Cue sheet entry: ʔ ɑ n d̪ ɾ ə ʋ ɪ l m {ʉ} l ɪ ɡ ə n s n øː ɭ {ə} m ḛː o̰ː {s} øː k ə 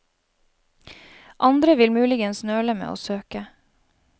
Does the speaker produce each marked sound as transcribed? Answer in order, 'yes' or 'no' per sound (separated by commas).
no, yes, yes